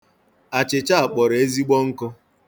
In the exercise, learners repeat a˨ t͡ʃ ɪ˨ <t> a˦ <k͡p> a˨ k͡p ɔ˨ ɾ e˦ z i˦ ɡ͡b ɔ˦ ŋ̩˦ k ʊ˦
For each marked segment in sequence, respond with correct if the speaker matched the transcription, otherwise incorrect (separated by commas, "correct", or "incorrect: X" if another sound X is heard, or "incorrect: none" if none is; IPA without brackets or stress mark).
incorrect: t͡ʃ, incorrect: none